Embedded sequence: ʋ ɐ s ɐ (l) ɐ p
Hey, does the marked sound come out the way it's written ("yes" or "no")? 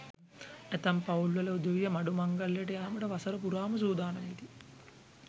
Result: no